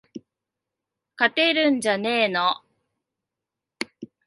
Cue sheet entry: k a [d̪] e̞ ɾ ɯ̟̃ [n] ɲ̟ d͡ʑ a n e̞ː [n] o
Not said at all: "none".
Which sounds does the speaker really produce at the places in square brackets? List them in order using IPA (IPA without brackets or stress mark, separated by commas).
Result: t̪, none, n